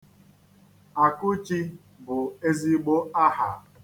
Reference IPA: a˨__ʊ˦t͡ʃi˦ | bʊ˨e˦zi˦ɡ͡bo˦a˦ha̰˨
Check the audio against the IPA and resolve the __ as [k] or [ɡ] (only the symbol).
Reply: k